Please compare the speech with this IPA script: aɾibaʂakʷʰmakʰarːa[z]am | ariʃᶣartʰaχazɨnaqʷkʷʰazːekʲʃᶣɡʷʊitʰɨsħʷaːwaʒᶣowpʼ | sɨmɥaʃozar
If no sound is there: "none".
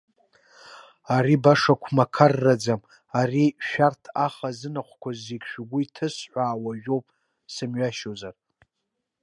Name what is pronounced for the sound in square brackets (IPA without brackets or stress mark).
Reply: d͡z